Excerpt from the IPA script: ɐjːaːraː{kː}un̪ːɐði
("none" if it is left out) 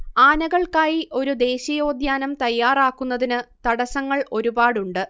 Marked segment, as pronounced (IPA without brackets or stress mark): kː